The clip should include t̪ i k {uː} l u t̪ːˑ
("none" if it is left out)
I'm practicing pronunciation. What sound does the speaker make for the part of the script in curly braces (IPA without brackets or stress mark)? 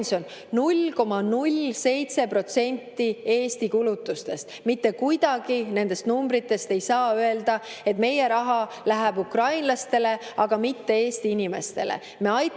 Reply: u